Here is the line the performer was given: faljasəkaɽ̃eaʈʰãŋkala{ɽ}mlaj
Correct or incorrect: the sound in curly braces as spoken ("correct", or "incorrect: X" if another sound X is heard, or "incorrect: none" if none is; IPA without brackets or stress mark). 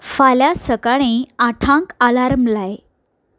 incorrect: ɾ